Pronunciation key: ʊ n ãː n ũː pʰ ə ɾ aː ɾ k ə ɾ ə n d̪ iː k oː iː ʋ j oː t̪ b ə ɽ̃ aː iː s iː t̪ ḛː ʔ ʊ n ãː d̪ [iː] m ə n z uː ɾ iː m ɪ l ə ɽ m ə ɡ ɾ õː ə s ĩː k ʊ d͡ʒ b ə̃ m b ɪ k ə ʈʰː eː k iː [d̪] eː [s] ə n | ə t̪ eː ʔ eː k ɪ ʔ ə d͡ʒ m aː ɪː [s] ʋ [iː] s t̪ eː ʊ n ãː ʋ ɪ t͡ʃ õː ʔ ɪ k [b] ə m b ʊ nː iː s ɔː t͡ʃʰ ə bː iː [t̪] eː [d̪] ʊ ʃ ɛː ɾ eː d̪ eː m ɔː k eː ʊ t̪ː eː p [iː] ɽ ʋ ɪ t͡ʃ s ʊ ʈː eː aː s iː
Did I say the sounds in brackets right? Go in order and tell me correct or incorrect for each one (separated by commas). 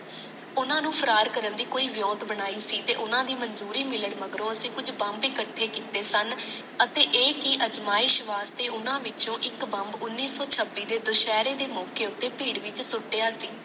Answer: correct, incorrect, correct, incorrect, incorrect, correct, incorrect, correct, correct